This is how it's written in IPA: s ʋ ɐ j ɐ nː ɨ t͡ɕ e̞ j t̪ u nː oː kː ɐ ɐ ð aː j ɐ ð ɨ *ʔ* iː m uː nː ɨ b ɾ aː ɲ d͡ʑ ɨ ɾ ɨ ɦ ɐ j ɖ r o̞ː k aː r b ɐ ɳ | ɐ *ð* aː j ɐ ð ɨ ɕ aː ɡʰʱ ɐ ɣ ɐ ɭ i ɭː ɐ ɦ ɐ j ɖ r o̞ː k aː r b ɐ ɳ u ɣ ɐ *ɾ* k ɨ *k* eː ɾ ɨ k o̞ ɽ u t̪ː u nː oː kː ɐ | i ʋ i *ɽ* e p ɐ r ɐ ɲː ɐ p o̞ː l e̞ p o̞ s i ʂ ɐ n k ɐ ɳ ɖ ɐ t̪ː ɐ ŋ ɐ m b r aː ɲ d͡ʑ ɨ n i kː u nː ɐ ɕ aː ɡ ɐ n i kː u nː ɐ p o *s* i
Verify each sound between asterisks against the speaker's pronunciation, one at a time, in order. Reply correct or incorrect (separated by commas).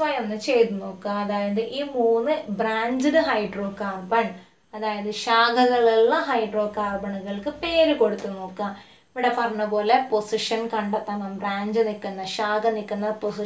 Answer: correct, correct, incorrect, incorrect, correct, correct